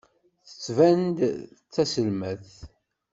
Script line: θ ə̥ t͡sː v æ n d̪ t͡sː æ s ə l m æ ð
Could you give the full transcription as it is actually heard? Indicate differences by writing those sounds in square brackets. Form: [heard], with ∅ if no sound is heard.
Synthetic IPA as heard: θ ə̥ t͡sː v æ n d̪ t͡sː æ s ə l m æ [θ]